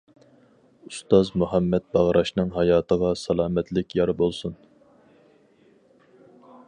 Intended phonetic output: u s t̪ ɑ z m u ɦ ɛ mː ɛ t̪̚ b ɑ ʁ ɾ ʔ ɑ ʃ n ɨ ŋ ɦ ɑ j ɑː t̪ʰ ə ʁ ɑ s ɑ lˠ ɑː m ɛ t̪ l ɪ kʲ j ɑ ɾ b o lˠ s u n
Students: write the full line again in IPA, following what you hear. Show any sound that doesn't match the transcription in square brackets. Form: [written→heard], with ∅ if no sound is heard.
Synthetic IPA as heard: u s t̪ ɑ z m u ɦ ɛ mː ɛ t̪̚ b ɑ ʁ ɾ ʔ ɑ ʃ n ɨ ŋ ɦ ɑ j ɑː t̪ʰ ə ʁ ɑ s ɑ lˠ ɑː m ɛ t̪ l ɪ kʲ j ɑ ɾ b o lˠ s u n